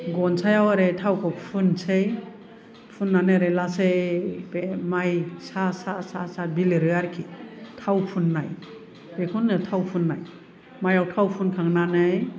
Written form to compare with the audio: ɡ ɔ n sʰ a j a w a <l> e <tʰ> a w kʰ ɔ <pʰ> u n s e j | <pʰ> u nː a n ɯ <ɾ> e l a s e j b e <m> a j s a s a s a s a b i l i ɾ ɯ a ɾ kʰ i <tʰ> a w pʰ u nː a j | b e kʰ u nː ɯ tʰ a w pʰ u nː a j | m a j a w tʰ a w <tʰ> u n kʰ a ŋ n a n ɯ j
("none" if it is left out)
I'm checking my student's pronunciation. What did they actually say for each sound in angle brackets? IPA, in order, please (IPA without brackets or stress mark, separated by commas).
ɾ, tʰ, pʰ, pʰ, ɾ, m, tʰ, pʰ